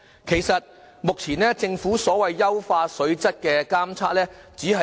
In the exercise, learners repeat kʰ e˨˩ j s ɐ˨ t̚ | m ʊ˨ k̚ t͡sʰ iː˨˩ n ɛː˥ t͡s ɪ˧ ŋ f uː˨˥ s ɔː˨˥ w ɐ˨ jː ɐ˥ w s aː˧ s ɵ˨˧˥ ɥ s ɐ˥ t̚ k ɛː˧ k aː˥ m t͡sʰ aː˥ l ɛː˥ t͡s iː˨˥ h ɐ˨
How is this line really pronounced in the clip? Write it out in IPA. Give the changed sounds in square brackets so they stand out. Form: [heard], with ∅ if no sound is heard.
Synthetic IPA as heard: kʰ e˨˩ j s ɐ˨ t̚ | m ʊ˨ k̚ t͡sʰ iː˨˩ n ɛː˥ t͡s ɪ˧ ŋ f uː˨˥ s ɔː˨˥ w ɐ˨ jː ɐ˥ w [f] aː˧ s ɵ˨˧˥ ɥ [t͡s] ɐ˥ t̚ k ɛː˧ k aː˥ m t͡sʰ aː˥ l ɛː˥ t͡s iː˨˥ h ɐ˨